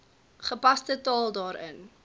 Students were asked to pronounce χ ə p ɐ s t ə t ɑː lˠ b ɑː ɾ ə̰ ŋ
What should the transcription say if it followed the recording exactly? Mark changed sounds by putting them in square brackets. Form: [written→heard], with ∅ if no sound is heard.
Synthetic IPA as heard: χ ə p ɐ s t ə t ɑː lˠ [b→d] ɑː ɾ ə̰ [ŋ→n]